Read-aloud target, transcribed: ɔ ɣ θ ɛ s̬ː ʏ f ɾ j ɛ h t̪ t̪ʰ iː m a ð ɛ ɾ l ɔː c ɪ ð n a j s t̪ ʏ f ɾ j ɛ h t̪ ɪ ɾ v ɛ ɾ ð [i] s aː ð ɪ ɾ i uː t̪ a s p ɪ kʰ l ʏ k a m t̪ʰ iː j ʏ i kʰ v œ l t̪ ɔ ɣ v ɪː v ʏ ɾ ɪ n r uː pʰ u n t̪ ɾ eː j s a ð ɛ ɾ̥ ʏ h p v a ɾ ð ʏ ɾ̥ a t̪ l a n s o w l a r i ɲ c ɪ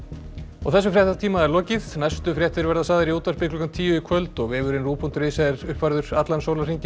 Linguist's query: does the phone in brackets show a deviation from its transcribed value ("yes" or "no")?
yes